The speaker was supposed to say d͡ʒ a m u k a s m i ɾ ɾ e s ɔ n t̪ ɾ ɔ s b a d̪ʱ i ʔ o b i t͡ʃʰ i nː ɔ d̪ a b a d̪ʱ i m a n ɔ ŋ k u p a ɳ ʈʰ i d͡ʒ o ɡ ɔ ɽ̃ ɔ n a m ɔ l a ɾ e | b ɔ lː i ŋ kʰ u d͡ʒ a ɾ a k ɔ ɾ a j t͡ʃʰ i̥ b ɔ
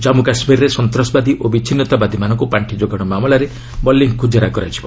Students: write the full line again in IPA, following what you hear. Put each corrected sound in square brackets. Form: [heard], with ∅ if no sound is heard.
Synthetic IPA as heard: d͡ʒ a m u k a s m i ɾ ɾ e s ɔ n t̪ ɾ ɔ s b a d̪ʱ i ʔ o b i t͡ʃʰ i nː ɔ [t̪] a b a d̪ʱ i m a n ɔ ŋ k u p a ɳ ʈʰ i d͡ʒ o ɡ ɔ ɽ̃ ɔ [m] a m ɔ l a ɾ e | b ɔ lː i ŋ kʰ u d͡ʒ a ɾ a k ɔ ɾ a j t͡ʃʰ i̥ b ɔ

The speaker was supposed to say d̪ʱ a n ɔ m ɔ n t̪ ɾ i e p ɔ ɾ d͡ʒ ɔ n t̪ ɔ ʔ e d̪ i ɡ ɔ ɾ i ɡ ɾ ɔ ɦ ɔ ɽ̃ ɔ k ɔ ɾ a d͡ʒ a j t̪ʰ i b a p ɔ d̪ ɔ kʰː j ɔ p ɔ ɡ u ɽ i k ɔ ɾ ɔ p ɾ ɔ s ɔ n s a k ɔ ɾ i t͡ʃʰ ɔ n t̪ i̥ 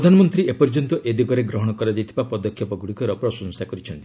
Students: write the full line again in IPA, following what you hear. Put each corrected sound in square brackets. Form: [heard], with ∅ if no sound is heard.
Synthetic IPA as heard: d̪ʱ a n ɔ m ɔ n t̪ ɾ i e p ɔ ɾ d͡ʒ ɔ n t̪ ɔ ʔ e d̪ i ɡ ɔ ɾ [e] ɡ ɾ ɔ ɦ ɔ ɽ̃ ɔ k ɔ ɾ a d͡ʒ a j t̪ʰ i b a p ɔ d̪ ɔ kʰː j ɔ p ɔ ɡ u ɽ i k ɔ ɾ ɔ p ɾ ɔ s ɔ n s a k ɔ ɾ i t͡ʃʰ ɔ n t̪ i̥

